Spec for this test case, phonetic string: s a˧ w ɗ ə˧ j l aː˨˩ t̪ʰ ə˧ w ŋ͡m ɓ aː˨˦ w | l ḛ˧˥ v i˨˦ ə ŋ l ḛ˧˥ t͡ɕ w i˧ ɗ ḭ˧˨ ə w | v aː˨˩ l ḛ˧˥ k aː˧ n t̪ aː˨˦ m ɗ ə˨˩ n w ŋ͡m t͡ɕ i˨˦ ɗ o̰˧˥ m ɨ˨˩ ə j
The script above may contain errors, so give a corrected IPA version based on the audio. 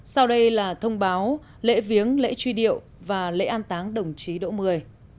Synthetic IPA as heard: s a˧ w ɗ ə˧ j l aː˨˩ t̪ʰ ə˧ w ŋ͡m ɓ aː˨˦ w | l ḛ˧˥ v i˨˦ ə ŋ l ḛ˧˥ t͡ɕ w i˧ ɗ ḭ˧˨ ə w | v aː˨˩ l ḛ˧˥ ʔ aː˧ n t̪ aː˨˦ ŋ ɗ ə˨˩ w ŋ͡m t͡ɕ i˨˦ ɗ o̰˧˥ m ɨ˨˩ ə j